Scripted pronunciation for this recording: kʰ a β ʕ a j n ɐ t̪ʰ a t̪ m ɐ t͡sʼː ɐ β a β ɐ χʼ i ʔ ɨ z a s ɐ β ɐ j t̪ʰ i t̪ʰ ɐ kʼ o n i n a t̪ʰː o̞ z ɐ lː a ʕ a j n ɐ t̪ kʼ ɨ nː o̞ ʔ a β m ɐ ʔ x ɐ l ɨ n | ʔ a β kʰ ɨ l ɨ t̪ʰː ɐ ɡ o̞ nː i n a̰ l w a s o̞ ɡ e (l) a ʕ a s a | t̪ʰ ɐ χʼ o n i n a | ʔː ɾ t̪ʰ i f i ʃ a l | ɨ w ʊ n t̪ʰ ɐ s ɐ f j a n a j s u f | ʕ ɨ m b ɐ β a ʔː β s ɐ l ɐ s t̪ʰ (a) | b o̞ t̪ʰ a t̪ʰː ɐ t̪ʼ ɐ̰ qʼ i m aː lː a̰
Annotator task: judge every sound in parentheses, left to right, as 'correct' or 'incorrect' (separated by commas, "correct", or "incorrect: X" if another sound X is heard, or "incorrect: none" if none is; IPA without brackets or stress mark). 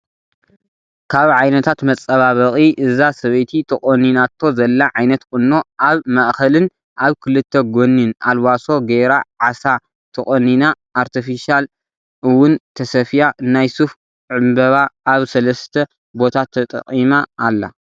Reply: incorrect: ɾ, incorrect: ɐ